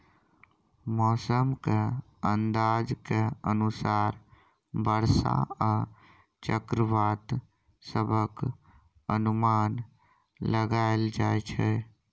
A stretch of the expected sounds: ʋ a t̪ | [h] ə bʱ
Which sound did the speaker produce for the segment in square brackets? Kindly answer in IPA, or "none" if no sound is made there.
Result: s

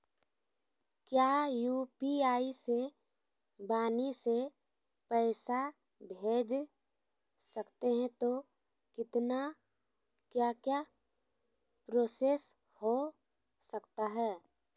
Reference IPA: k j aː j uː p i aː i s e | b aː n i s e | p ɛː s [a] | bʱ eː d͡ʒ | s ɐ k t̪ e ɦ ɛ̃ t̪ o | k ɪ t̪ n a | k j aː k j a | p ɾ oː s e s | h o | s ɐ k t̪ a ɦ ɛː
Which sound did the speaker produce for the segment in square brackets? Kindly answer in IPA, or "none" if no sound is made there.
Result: a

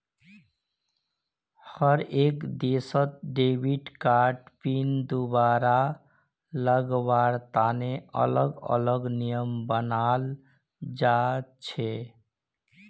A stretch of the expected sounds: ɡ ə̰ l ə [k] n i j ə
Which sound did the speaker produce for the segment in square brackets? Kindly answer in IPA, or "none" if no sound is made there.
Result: ɡ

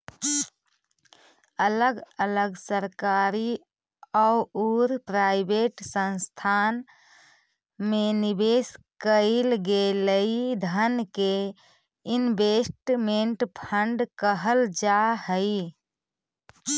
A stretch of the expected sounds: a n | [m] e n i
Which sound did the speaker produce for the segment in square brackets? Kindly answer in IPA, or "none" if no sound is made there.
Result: m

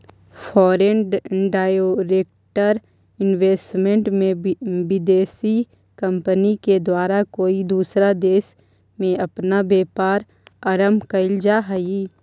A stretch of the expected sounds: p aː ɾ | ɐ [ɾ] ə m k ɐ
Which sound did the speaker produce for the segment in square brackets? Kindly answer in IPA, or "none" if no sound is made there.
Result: ɾ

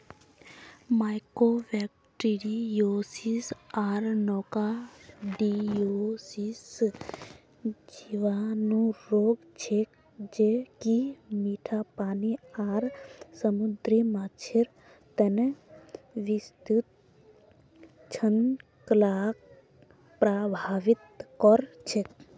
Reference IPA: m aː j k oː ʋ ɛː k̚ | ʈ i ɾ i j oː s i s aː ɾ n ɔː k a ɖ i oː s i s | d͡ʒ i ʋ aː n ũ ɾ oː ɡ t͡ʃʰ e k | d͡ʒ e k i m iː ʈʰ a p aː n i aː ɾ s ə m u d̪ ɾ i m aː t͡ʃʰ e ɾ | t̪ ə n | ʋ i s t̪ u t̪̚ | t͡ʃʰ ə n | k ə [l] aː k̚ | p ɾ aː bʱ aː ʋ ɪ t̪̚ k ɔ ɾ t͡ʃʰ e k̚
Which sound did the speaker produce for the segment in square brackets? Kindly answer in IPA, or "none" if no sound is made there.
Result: l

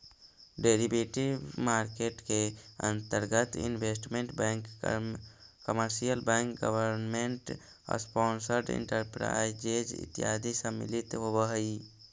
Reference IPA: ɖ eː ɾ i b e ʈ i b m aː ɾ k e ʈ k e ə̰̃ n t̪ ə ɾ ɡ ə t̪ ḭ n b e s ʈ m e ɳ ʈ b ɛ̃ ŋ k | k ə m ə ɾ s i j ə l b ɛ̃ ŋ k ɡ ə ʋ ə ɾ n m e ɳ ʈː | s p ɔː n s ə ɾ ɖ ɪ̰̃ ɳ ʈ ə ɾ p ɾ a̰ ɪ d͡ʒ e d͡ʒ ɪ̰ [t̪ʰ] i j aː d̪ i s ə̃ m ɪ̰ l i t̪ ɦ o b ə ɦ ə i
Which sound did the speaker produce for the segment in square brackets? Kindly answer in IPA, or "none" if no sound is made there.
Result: t̪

